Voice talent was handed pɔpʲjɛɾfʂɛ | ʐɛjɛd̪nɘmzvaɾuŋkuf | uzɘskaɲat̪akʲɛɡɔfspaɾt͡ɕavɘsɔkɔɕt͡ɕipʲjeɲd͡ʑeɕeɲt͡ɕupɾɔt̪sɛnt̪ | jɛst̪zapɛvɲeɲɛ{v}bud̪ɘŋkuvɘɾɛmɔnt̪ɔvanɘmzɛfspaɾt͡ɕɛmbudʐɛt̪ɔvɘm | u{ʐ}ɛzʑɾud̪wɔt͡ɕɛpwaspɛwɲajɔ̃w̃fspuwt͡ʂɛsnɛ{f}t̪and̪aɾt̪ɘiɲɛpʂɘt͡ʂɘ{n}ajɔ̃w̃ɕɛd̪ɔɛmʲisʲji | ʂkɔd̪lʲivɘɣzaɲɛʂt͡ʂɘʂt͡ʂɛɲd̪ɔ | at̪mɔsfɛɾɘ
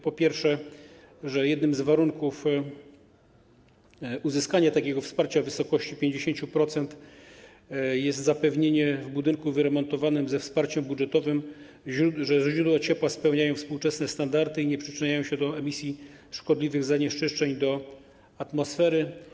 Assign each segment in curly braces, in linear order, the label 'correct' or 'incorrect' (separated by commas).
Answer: correct, correct, incorrect, incorrect